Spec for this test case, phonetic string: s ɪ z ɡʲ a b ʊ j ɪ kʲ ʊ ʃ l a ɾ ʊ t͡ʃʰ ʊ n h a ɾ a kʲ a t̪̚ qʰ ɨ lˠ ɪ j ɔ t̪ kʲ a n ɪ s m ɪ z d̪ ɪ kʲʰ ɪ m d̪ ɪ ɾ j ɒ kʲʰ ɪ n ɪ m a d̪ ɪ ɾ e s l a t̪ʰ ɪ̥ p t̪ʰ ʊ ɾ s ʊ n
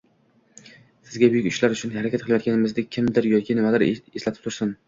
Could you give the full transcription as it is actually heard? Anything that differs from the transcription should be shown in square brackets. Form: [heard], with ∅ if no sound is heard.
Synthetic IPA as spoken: s ɪ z ɡʲ a b ʊ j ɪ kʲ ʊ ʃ l a ɾ ʊ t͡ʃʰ ʊ n h a ɾ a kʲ a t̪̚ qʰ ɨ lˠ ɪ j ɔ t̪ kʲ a n ɪ [∅] m ɪ z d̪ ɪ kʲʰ ɪ m d̪ ɪ ɾ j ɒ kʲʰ ɪ n ɪ m a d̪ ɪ ɾ e s l a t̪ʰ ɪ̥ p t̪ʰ ʊ ɾ s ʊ n